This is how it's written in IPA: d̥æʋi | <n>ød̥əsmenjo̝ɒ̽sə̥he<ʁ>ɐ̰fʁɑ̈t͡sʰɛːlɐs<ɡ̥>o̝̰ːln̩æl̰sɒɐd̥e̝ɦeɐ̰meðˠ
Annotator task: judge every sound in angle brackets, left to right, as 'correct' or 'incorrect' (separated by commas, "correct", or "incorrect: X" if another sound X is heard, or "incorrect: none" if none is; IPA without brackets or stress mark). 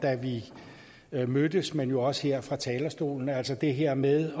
incorrect: m, incorrect: none, incorrect: d̥